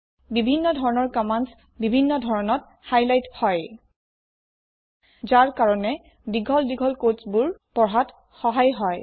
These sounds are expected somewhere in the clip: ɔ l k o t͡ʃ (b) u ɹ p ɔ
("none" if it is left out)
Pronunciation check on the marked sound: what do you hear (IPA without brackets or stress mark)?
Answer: b